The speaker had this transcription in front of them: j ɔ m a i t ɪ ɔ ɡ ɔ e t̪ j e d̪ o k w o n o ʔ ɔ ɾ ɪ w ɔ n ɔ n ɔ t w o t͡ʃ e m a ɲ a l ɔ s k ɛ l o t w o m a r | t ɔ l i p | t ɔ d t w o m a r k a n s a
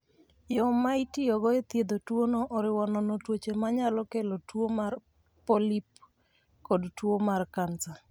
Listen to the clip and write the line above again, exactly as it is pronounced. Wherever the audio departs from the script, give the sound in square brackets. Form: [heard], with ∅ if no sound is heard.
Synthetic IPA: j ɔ m a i t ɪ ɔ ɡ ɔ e t̪ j e d̪ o [t] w o n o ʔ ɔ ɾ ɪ w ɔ n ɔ n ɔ t w o t͡ʃ e m a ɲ a l ɔ [∅] k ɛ l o t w o m a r | [p] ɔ l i p | [k] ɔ d t w o m a r k a n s a